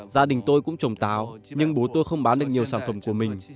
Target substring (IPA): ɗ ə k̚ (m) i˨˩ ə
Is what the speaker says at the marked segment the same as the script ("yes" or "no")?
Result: no